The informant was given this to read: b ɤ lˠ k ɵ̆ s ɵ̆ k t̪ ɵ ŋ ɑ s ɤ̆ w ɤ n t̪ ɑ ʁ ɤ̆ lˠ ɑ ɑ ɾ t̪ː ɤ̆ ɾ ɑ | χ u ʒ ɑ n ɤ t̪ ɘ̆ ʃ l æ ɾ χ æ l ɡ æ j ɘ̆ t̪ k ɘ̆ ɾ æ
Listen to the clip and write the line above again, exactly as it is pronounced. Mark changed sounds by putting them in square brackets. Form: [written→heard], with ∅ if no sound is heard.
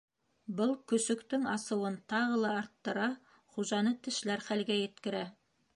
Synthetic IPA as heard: b ɤ lˠ k ɵ̆ s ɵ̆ k t̪ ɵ ŋ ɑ s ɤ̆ w ɤ n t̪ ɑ ʁ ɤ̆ lˠ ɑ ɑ ɾ t̪ː ɤ̆ ɾ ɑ | χ u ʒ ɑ n ɤ t̪ ɘ̆ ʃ l æ ɾ χ æ l ɡ æ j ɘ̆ t̪ k ɘ̆ ɾ æ